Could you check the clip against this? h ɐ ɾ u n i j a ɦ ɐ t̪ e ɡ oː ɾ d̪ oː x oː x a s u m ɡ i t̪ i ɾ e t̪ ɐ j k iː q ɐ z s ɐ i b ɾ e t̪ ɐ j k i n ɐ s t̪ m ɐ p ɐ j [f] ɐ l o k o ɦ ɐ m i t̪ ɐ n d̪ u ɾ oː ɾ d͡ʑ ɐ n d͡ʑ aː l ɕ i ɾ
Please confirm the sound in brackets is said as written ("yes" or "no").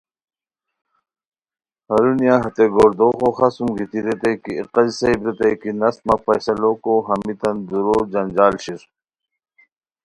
no